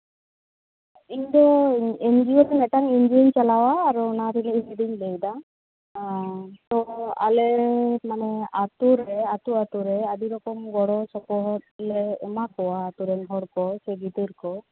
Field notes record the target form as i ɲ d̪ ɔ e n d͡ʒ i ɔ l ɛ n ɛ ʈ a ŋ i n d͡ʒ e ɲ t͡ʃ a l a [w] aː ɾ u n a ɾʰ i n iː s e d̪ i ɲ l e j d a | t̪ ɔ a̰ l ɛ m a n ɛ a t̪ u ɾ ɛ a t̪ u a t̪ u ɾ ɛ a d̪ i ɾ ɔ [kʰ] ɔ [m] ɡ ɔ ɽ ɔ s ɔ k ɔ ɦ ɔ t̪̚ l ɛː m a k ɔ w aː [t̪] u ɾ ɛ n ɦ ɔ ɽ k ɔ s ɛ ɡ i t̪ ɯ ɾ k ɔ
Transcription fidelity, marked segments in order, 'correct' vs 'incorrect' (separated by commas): correct, incorrect, correct, correct